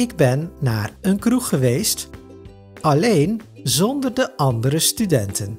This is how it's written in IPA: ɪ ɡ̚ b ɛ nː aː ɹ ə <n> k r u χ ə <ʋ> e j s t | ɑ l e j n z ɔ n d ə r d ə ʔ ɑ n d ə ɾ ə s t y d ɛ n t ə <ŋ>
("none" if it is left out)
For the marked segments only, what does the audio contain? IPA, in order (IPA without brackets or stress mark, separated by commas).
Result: n, ʋ, n